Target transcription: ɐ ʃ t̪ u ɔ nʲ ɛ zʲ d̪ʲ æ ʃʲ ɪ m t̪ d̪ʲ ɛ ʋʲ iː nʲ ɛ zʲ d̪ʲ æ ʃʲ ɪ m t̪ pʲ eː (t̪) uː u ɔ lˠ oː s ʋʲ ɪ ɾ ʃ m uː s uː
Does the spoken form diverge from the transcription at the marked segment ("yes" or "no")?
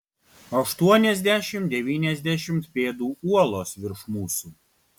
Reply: yes